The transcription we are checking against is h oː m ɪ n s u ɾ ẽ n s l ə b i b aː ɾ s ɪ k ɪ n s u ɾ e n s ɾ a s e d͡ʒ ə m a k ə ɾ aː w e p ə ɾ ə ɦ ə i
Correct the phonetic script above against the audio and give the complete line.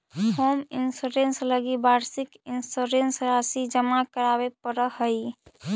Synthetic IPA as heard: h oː m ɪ n s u ɾ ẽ n s l ə ɡ i b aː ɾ s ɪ k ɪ n s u ɾ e n s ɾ a s i d͡ʒ ə m a k ə ɾ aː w e p ə ɾ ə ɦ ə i